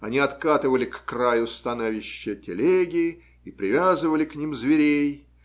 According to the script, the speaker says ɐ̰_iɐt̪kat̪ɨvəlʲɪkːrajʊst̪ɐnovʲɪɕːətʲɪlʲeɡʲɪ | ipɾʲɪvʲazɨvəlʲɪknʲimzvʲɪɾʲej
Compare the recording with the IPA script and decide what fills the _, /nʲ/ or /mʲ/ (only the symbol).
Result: nʲ